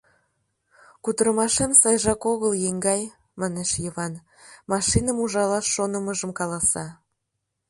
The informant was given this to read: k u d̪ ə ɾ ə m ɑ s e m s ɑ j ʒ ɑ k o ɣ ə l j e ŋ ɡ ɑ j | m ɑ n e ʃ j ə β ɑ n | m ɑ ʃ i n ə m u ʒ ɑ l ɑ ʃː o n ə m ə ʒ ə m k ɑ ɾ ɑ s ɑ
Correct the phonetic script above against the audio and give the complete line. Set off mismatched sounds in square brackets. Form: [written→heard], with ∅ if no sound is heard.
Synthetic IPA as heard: k u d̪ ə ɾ ə m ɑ [s→ʃ] e m s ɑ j ʒ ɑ k o ɣ ə l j e ŋ ɡ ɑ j | m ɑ n e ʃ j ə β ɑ n | m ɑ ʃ i n ə m u ʒ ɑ l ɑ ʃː o n ə m ə ʒ ə m k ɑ [ɾ→l] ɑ s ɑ

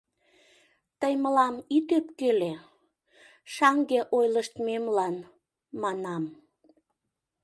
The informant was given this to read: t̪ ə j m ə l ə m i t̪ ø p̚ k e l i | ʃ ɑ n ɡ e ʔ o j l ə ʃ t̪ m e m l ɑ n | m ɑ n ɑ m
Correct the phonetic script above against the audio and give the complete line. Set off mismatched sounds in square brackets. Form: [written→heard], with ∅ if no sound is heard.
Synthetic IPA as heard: t̪ ə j m ə l [ə→ɑ] m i t̪ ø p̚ k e l [i→e] | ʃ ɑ [n→ŋ] ɡ e ʔ o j l ə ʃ t̪ m e m l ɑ n | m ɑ n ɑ m

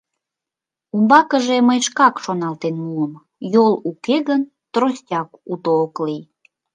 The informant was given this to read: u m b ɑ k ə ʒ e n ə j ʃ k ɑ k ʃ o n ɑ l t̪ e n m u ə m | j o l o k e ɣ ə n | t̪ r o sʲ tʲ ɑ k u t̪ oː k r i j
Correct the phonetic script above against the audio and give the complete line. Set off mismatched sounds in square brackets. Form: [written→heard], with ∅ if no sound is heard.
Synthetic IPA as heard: u m b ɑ k ə ʒ e [n→m] ə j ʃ k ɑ k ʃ o n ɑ l t̪ e n m u ə m | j o l [o→u] k e ɣ ə n | t̪ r o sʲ tʲ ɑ k u t̪ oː k [r→l] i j

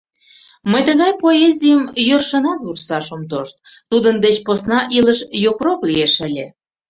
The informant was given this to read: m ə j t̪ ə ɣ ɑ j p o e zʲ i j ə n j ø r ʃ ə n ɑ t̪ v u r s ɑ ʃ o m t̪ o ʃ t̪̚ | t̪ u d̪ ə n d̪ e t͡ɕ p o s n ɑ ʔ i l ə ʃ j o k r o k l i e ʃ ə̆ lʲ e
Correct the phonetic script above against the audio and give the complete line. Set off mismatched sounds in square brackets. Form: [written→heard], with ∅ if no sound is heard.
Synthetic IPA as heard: m ə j t̪ ə ɣ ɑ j p o e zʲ i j ə [n→m] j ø r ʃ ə n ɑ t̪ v u r s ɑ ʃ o m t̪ o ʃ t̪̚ | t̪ u d̪ ə n d̪ e t͡ɕ p o s n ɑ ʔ i l ə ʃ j o k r o k l i e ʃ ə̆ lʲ e

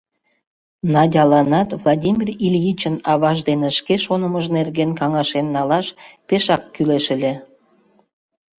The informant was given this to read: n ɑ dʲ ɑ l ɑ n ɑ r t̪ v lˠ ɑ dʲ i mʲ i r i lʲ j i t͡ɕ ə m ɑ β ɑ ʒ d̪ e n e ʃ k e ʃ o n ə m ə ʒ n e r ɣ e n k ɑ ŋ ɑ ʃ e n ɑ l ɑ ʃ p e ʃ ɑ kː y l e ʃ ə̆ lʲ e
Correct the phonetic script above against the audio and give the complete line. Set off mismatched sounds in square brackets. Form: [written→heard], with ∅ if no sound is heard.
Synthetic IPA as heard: n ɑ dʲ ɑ l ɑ n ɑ [r→∅] t̪ v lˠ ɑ dʲ i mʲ i r i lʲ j i t͡ɕ ə [m→n] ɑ β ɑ ʒ d̪ e n e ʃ k e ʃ o n ə m ə ʒ n e r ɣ e n k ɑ ŋ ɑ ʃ e [n→nː] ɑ l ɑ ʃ p e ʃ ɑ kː y l e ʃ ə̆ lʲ e

